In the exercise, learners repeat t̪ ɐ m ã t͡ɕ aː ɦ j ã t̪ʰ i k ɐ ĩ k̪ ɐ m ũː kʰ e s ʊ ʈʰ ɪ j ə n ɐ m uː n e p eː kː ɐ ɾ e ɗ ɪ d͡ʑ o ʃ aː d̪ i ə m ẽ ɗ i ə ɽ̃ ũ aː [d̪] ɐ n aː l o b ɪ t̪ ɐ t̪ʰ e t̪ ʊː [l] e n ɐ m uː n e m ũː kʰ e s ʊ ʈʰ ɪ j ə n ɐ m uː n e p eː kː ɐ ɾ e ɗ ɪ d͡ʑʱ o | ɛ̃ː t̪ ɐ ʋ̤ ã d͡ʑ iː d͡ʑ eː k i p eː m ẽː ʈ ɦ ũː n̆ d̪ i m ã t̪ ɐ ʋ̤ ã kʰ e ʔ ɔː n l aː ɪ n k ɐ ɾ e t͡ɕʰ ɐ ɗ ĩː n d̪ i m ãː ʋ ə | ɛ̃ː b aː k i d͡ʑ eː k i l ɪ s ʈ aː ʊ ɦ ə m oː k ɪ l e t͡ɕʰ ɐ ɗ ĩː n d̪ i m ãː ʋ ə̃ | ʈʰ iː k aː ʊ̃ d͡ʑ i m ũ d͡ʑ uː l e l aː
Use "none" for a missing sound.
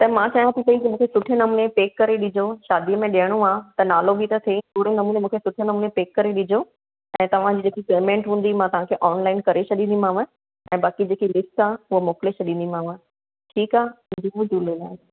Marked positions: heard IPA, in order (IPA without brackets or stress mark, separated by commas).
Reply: t̪, ɽ